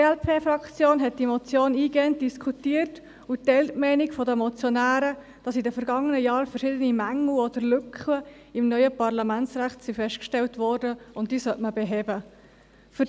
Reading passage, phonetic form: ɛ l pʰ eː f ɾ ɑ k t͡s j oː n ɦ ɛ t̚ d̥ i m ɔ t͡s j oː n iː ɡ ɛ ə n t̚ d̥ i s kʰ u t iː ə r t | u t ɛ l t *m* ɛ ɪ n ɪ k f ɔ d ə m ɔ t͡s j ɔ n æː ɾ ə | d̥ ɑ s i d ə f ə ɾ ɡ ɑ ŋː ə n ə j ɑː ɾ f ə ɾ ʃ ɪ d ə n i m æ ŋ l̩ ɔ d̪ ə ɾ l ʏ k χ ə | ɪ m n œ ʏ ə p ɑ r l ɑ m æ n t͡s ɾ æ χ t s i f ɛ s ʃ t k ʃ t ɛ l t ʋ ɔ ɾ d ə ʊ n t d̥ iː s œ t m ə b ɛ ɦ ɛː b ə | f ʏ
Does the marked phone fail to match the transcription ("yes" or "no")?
no